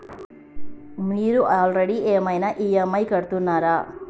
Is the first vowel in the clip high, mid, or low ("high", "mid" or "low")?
high